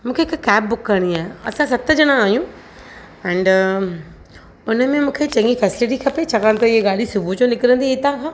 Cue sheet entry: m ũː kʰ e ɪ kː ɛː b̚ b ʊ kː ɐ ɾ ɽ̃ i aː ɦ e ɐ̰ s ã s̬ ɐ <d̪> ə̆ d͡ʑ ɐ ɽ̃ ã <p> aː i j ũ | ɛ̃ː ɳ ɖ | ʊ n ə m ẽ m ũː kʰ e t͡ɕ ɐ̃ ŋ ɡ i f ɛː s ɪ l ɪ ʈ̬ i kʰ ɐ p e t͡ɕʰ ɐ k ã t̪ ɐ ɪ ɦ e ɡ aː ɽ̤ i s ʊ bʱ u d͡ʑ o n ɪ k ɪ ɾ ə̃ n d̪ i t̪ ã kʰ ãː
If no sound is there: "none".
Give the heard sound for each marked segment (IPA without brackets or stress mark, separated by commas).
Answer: t̪, none